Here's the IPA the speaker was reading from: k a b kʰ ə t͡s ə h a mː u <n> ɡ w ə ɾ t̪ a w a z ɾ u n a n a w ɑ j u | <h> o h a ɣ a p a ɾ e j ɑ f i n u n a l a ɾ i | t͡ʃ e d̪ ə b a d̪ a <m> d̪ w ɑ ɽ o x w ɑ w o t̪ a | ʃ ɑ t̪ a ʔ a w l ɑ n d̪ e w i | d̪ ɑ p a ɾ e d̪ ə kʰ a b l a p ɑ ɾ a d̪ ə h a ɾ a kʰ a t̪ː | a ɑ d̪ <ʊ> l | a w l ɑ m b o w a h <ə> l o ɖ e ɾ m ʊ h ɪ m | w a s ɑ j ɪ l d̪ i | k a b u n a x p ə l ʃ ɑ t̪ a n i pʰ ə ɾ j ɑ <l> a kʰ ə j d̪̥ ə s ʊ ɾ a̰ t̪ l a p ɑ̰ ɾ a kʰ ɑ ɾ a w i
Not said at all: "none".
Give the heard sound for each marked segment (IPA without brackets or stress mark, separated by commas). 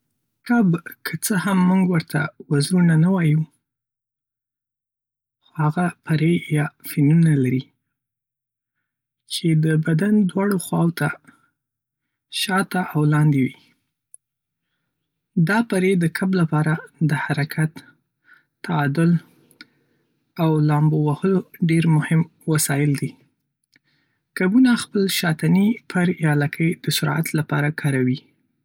ŋ, x, n, ʊ, ə, l